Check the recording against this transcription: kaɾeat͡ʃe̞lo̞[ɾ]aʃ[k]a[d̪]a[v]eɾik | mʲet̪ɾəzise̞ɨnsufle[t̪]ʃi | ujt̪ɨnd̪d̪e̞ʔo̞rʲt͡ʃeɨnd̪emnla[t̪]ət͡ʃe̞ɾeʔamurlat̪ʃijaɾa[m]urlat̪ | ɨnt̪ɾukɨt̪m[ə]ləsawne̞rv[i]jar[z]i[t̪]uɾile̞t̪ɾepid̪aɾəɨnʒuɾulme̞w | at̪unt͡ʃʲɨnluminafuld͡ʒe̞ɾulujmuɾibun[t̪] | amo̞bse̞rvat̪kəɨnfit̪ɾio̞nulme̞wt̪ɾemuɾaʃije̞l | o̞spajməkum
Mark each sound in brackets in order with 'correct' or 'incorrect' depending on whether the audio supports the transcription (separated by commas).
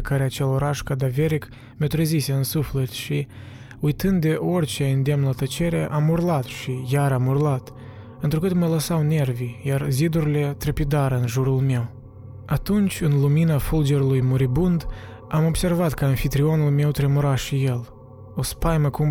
correct, correct, correct, correct, correct, correct, correct, correct, correct, correct, incorrect, incorrect